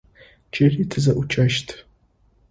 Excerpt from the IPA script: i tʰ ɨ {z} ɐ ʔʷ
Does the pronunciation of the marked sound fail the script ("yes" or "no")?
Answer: no